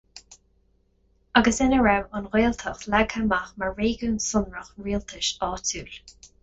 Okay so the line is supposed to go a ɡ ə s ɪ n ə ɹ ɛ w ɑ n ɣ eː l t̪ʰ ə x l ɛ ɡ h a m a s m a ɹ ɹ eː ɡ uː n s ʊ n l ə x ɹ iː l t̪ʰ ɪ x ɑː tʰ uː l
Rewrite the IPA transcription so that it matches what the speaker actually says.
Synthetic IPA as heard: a ɡ ə s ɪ n ə ɹ ɛ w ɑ n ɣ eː l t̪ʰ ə x l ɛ ɡ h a m a x m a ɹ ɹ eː ɡ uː n s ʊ n ɹ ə x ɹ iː l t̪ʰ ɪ ʃ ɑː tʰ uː l